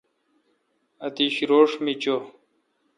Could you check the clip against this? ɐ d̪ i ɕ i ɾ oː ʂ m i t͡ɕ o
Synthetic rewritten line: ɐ t̪ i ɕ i ɾ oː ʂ m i t͡ɕ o